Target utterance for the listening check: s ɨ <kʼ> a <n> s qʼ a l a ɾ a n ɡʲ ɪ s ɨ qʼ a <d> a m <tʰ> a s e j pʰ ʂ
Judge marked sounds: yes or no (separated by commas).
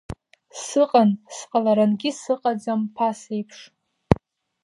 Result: no, yes, no, no